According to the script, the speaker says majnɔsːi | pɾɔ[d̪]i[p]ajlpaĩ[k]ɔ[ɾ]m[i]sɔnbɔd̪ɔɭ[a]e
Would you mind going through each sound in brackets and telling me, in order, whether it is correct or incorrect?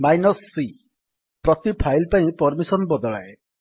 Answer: incorrect: t̪, incorrect: pʰ, incorrect: p, correct, correct, correct

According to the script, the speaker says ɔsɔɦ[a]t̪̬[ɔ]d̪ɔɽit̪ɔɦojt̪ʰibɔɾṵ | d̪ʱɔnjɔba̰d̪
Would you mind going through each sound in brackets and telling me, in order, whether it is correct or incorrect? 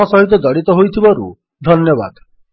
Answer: incorrect: i, correct

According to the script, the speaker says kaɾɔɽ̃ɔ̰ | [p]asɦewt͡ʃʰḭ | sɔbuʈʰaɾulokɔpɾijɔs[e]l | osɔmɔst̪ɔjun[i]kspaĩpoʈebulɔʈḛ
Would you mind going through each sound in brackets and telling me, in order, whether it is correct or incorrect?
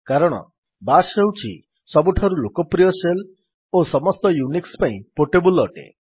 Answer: incorrect: b, correct, correct

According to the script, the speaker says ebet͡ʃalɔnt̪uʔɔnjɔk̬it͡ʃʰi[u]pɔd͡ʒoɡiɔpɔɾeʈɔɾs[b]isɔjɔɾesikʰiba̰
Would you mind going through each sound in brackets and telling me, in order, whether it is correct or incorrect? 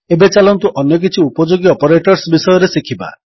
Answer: correct, correct

